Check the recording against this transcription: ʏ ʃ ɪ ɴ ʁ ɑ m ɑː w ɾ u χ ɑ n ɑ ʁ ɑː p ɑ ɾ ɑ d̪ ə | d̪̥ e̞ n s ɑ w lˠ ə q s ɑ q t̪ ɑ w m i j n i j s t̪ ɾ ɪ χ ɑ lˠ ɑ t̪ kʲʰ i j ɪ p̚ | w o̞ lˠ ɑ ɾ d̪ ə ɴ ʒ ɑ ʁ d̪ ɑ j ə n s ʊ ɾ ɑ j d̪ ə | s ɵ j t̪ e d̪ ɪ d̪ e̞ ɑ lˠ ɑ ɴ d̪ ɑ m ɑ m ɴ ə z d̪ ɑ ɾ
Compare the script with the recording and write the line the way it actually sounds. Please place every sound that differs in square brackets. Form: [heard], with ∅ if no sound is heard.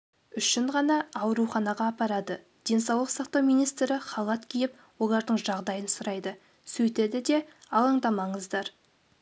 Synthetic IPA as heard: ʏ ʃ ɪ ɴ ʁ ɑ [n] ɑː w ɾ u χ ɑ n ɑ ʁ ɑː p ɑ ɾ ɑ d̪ ə | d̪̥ e̞ n s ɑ w lˠ ə q s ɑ q t̪ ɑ w m i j n i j s t̪ ɾ ɪ χ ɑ lˠ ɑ t̪ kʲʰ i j ɪ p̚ | w o̞ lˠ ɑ ɾ d̪ ə ɴ ʒ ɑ ʁ d̪ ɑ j ə n s ʊ ɾ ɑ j d̪ ə | s ɵ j t̪ e d̪ ɪ d̪ e̞ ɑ lˠ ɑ ɴ d̪ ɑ m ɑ [∅] ɴ ə z d̪ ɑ ɾ

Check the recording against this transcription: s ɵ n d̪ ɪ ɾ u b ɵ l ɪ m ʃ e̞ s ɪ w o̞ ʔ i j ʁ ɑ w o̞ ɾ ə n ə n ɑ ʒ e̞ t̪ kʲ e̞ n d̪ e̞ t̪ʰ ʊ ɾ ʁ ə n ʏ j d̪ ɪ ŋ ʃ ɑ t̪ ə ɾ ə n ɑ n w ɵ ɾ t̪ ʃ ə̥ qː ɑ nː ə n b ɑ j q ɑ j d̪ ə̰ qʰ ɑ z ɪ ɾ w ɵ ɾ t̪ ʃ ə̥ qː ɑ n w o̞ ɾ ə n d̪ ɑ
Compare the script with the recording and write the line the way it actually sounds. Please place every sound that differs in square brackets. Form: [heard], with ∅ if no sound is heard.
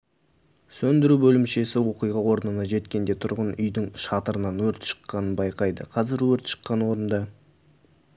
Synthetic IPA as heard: s ɵ n d̪ ɪ ɾ u b ɵ l ɪ m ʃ e̞ s ɪ w o̞ [q] i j ʁ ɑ w o̞ ɾ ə n ə n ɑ ʒ e̞ t̪ kʲ e̞ n d̪ e̞ t̪ʰ ʊ ɾ ʁ ə n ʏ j d̪ ɪ ŋ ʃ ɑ t̪ ə ɾ ə n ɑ n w ɵ ɾ t̪ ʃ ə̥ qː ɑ [n] ə n b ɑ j q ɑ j d̪ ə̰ qʰ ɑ z ɪ ɾ w ɵ ɾ t̪ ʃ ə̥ qː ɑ n w o̞ ɾ ə n d̪ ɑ

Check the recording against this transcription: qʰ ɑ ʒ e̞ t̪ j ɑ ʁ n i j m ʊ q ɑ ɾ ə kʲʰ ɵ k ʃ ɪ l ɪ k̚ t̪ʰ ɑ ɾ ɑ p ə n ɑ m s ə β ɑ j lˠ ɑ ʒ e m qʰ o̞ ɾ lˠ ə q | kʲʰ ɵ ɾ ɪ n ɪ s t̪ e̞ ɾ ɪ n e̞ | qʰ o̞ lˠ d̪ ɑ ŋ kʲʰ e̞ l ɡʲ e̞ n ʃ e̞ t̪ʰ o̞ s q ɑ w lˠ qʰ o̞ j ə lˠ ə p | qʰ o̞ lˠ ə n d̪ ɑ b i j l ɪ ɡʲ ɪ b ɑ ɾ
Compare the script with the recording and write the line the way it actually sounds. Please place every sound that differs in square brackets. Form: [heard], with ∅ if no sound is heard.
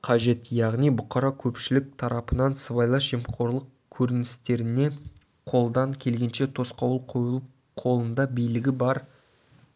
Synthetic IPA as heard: qʰ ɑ ʒ e̞ t̪ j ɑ ʁ n i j [b] ʊ q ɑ ɾ [ɑ] kʲʰ ɵ [p] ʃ ɪ l ɪ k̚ t̪ʰ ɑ ɾ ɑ p ə n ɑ [n] s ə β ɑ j lˠ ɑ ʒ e m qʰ o̞ ɾ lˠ ə q | kʲʰ ɵ ɾ ɪ n ɪ s t̪ e̞ ɾ ɪ n e̞ | qʰ o̞ lˠ d̪ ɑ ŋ kʲʰ e̞ l ɡʲ e̞ n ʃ e̞ t̪ʰ o̞ s q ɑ w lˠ qʰ o̞ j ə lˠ ə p | qʰ o̞ lˠ ə n d̪ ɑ b i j l ɪ ɡʲ ɪ b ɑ ɾ

